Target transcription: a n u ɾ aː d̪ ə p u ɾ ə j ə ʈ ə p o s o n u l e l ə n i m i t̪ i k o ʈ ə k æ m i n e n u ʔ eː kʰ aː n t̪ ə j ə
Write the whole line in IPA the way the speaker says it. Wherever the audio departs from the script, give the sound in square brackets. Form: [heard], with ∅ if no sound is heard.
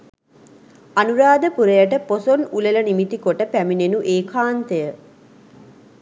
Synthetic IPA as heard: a n u ɾ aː d̪ ə p u ɾ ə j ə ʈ ə p o s o n u l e l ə n i m i t̪ i k o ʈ ə [p] æ m i n e n u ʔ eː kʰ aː n t̪ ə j ə